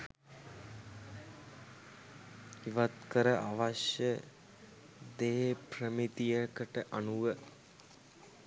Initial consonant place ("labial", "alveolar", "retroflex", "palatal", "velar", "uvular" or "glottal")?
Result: labial